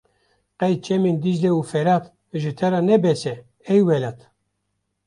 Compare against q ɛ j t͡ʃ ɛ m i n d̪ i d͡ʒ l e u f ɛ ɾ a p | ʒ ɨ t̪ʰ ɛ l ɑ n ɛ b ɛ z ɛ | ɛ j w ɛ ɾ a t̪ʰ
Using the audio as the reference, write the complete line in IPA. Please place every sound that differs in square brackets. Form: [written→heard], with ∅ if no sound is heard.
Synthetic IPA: q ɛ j t͡ʃ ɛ m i n d̪ i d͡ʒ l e u f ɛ ɾ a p | ʒ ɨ t̪ʰ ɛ [l→ɾ] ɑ n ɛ b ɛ [z→s] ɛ | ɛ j w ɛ [ɾ→l] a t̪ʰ